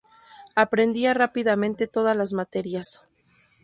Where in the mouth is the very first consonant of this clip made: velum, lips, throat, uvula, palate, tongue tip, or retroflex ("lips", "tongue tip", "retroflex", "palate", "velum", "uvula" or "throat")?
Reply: lips